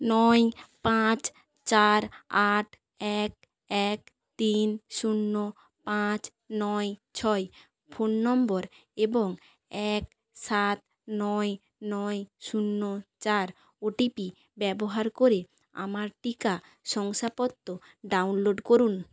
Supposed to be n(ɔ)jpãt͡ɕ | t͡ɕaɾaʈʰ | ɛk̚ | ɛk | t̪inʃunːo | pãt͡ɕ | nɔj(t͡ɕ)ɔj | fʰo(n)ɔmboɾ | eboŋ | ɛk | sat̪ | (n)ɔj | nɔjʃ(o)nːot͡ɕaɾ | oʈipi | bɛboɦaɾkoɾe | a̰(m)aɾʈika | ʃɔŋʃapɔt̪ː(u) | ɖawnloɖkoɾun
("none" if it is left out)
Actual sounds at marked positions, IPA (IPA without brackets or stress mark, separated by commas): ɔ, t͡ɕʰ, nː, n, u, m, o